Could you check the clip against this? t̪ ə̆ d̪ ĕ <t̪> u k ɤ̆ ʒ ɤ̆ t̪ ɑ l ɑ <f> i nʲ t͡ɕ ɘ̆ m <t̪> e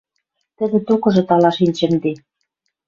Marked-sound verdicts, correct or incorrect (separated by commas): correct, incorrect, incorrect